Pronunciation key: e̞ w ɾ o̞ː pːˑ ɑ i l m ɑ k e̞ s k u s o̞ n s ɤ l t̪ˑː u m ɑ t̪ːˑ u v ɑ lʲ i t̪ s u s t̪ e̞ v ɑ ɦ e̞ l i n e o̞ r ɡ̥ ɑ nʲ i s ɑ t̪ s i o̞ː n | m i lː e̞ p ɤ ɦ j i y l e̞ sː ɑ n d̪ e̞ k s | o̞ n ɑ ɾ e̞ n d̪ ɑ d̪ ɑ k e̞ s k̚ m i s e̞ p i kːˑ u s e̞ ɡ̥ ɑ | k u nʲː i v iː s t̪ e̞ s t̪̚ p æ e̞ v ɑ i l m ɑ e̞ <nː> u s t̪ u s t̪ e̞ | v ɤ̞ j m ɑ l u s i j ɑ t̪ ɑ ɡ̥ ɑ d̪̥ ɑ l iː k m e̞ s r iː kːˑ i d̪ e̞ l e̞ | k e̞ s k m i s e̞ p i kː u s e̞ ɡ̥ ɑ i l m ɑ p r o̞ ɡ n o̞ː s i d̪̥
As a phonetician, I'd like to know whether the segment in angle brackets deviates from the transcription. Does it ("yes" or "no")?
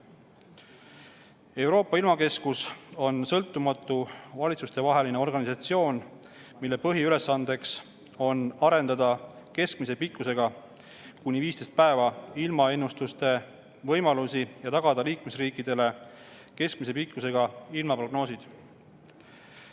no